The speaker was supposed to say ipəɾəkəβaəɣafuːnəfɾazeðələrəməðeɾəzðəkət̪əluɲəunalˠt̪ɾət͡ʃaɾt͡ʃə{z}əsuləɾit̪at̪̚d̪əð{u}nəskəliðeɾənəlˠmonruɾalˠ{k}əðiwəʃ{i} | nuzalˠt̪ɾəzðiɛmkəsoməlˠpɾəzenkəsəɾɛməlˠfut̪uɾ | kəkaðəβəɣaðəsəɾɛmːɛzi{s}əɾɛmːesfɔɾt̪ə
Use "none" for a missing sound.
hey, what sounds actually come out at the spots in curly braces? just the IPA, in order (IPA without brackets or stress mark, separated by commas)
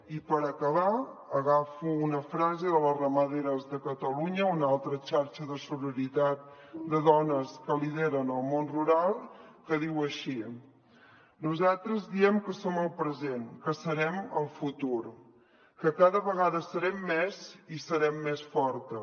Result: ð, ɔ, k, i, s